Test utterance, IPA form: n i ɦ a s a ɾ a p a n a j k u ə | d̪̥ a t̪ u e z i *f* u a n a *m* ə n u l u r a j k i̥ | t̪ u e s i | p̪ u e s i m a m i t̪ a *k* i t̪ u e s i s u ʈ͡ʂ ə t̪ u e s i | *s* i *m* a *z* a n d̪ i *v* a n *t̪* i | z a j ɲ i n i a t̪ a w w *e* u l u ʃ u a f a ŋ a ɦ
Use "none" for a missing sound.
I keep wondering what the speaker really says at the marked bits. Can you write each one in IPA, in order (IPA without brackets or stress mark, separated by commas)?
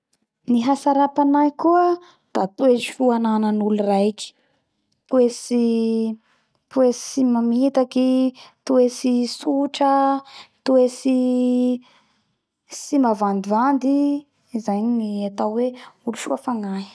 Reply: f, n, k, s, m, v, v, d̪, e